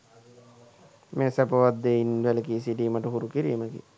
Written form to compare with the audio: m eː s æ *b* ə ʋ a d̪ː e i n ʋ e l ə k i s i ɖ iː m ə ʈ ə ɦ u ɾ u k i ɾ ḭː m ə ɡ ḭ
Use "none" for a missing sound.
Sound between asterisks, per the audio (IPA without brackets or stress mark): p